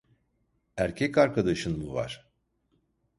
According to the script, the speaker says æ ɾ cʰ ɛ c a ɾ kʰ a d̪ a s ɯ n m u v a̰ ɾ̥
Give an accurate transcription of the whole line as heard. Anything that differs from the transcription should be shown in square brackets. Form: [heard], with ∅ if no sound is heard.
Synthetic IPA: æ ɾ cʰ ɛ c a ɾ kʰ a d̪ a [ʃ] ɯ n m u v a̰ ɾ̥